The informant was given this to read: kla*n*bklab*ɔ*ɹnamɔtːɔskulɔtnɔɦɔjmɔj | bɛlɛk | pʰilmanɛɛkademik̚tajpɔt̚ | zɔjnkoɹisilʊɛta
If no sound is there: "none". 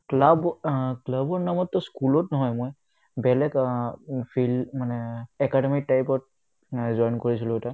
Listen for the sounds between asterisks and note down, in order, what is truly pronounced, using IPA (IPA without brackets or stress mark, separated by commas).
none, ɔ